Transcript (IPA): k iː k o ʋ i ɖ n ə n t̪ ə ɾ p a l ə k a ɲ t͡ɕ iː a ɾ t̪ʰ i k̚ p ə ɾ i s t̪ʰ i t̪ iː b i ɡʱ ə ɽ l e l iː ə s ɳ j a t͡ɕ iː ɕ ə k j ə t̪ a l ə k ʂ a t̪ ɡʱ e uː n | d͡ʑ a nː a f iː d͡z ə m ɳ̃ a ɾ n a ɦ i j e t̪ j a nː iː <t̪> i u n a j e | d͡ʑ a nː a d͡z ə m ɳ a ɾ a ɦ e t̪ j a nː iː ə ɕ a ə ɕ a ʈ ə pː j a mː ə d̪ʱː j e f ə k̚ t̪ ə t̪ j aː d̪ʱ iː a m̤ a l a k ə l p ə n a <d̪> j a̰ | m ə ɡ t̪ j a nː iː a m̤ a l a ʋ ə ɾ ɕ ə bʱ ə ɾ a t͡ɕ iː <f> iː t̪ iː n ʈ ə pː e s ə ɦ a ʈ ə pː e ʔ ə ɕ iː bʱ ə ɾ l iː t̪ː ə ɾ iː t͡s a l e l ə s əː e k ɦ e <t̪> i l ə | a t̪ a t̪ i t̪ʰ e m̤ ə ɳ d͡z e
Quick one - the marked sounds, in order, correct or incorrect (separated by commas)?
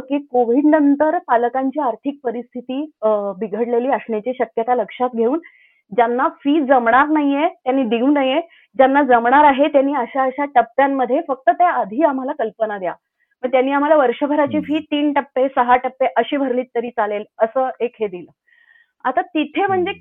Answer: incorrect, correct, correct, incorrect